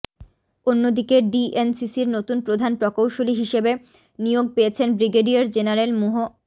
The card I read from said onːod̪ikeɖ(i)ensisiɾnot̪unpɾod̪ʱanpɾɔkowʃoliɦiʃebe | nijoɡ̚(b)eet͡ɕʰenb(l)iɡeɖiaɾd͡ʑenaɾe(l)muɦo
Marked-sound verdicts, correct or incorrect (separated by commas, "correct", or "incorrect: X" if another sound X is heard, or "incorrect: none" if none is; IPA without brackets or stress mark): correct, incorrect: p, incorrect: ɾ, correct